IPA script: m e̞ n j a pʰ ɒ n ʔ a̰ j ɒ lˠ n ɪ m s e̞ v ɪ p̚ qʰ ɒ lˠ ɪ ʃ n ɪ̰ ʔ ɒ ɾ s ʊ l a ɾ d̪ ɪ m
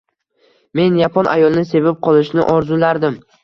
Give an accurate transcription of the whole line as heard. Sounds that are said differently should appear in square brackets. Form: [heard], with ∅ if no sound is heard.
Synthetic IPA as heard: m e̞ n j a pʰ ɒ n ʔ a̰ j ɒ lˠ n ɪ [∅] s e̞ v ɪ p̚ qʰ ɒ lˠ ɪ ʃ n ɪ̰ ʔ ɒ ɾ [z] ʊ l a ɾ d̪ ɪ m

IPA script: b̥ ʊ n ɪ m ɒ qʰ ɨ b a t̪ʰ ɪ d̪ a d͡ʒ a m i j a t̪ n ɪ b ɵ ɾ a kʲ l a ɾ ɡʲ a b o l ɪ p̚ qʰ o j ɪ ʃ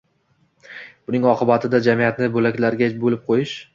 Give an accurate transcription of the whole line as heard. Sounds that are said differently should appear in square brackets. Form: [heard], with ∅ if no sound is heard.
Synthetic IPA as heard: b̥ ʊ n ɪ [ŋ] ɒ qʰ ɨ b a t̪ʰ ɪ d̪ a d͡ʒ a m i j a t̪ n ɪ b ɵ [l] a kʲ l a ɾ ɡʲ a b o l ɪ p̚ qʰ o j ɪ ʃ

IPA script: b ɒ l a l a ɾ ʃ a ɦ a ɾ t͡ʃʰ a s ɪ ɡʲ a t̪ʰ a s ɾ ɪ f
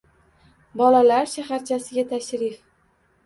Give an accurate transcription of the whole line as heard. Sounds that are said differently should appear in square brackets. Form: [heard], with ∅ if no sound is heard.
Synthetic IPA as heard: b ɒ l a l a ɾ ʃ a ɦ a ɾ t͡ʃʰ a s ɪ ɡʲ a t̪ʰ a [ʃ] ɾ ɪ f

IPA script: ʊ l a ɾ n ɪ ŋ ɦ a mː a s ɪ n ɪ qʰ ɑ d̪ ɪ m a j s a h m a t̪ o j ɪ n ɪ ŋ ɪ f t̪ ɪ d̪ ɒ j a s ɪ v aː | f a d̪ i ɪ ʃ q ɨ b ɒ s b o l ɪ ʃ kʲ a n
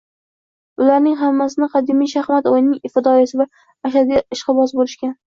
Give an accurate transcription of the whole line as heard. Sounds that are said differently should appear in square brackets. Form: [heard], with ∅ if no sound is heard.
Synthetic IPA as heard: ʊ l a ɾ n ɪ ŋ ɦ a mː a s ɪ n ɪ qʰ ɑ d̪ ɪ m [i] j [ʃ] a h m a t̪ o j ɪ n ɪ ŋ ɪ f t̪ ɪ d̪ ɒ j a s ɪ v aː | [ʃ] a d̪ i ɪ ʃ q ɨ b ɒ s b o l ɪ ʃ kʲ a n

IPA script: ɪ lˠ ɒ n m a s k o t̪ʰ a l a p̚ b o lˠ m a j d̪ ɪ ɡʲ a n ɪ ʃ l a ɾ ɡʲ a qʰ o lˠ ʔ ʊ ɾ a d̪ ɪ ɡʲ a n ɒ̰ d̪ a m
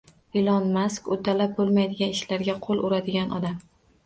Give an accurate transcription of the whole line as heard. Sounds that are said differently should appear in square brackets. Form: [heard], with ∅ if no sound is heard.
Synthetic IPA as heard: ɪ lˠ ɒ n m a s k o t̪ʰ a l a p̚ b o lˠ m a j d̪ ɪ ɡʲ a n ɪ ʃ l a ɾ ɡʲ a qʰ o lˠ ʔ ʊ ɾ a d̪ ɪ ɡʲ a n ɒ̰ d̪ a m

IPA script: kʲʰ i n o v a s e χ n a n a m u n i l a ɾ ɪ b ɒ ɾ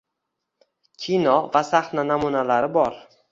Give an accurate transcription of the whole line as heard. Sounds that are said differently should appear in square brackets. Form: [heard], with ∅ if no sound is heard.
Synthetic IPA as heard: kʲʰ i n [ɒ] v a s [a] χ n a n a m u n [a] l a ɾ ɪ b ɒ ɾ

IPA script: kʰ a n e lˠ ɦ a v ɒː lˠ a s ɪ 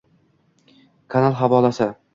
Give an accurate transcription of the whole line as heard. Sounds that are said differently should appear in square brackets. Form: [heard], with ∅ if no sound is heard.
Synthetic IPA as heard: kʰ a n [a] lˠ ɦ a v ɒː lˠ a s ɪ

